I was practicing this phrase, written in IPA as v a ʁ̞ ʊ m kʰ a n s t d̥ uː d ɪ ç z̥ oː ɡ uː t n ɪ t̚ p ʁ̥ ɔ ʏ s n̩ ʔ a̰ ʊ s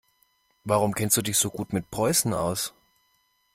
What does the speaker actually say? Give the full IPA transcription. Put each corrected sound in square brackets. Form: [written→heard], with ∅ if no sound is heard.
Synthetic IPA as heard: v a ʁ̞ ʊ m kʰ [a→ɛ] n s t d̥ uː d ɪ ç z̥ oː ɡ uː t [n→m] ɪ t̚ p ʁ̥ ɔ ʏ s n̩ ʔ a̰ ʊ s